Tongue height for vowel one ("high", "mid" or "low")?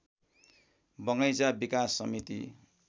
mid